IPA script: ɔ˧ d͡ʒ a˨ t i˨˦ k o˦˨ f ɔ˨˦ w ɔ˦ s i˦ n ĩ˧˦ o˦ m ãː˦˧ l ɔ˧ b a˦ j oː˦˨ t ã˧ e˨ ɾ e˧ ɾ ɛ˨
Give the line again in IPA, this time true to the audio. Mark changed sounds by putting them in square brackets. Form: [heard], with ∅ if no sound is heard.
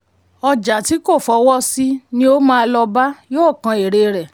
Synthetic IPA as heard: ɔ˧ d͡ʒ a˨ t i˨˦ k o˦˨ f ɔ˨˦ w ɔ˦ s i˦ n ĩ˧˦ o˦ m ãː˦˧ l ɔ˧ b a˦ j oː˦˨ [k] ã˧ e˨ ɾ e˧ ɾ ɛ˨